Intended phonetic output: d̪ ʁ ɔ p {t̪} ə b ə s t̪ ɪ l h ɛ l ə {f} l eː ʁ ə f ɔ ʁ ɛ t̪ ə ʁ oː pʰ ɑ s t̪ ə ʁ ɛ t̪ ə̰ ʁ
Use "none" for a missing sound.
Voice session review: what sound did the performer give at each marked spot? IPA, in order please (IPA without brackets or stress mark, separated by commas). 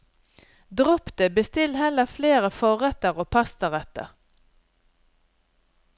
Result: t̪, f